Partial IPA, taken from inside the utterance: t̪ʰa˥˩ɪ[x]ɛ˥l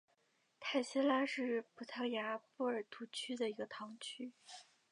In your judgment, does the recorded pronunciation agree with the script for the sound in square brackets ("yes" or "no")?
no